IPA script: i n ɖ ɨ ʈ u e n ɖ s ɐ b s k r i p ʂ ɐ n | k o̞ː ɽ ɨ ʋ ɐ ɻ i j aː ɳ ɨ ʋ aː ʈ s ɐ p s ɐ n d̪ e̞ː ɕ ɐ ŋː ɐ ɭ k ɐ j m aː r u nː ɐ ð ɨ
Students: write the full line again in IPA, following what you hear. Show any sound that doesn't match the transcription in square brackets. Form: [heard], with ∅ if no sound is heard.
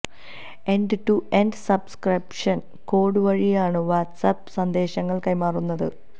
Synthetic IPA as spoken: [e] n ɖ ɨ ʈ u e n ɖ s ɐ b s k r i p ʂ ɐ n | k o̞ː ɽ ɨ ʋ ɐ ɻ i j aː ɳ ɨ ʋ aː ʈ s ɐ p s ɐ n d̪ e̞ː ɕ ɐ ŋː ɐ ɭ k ɐ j m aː r u nː ɐ ð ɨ